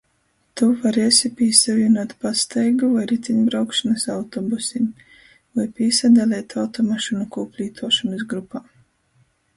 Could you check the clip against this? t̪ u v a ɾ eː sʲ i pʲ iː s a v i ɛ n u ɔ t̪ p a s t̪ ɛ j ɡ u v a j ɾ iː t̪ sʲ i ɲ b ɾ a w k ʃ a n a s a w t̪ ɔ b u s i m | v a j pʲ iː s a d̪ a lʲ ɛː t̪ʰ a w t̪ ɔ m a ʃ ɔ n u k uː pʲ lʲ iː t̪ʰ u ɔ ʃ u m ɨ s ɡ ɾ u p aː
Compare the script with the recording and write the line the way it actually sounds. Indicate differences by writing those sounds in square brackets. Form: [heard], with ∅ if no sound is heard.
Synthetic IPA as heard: t̪ u v a ɾ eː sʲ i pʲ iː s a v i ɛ n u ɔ t̪ p a s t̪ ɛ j ɡ u v a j ɾ [i] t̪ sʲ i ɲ b ɾ a w k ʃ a n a s a w t̪ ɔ b u s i m | v a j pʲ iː s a d̪ a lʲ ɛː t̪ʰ a w t̪ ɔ m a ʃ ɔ n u k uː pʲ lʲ iː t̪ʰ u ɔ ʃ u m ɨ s ɡ ɾ u p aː